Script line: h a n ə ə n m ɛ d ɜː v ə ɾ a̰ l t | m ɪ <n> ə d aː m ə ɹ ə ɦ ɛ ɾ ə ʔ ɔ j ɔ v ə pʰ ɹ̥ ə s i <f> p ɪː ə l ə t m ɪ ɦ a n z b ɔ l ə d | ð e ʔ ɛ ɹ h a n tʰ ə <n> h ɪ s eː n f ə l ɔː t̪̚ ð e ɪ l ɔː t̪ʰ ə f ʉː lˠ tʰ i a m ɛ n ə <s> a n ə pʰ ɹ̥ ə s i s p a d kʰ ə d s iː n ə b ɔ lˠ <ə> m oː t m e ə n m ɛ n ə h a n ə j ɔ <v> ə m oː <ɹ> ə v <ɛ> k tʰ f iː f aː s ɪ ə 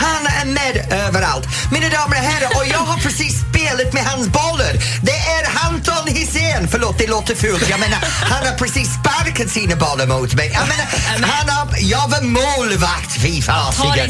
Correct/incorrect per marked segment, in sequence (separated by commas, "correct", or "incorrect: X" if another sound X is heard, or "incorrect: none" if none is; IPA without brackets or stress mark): correct, incorrect: s, correct, incorrect: h, correct, correct, incorrect: l, incorrect: a